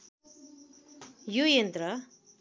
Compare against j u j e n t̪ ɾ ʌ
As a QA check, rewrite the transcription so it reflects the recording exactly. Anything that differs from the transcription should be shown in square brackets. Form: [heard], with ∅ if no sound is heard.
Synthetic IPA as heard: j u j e n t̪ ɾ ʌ

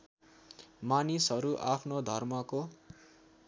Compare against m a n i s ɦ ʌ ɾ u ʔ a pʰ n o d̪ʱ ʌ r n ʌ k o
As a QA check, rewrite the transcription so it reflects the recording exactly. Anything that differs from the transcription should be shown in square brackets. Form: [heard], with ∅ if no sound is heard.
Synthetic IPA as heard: m a n i s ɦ ʌ ɾ u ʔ a pʰ n o d̪ʱ ʌ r [m] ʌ k o

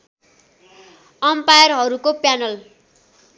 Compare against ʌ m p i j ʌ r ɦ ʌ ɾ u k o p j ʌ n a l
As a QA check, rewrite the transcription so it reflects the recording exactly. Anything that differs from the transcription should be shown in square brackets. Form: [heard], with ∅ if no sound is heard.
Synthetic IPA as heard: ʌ m p [a] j ʌ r ɦ ʌ ɾ u k o p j [a] n [ʌ] l

